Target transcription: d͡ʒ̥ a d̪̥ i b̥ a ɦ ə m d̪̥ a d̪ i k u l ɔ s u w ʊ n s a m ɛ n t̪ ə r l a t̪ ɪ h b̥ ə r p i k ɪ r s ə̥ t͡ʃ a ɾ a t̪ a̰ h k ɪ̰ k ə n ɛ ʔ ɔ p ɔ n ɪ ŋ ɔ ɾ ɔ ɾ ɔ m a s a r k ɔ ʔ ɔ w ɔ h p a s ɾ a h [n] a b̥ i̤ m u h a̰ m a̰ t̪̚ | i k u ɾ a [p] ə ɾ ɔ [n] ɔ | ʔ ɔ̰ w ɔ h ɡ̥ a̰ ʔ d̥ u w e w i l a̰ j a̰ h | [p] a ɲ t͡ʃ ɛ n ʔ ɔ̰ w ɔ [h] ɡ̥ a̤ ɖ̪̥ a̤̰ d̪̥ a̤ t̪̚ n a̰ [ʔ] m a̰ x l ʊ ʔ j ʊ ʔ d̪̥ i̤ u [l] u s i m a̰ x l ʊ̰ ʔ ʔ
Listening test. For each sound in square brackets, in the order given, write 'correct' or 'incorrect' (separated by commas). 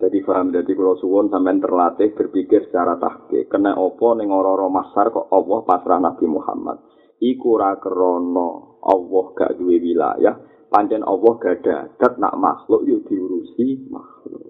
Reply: correct, incorrect, correct, correct, correct, correct, incorrect